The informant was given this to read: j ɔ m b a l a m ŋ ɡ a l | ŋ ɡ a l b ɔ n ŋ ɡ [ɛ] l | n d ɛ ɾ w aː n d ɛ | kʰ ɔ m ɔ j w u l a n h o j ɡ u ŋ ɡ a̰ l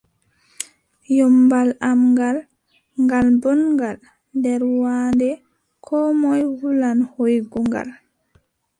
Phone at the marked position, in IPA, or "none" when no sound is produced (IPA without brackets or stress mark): a